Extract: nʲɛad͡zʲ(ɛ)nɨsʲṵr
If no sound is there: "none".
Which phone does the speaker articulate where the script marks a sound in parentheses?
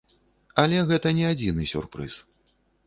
i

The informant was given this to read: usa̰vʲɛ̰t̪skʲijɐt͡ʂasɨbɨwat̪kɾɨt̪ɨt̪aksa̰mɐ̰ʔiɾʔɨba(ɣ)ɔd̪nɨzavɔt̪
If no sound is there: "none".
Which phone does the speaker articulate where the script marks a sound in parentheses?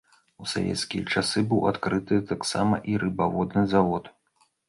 v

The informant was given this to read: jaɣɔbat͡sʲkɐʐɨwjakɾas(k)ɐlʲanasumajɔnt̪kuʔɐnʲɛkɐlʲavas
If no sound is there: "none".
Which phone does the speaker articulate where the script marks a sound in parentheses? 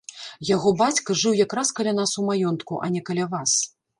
k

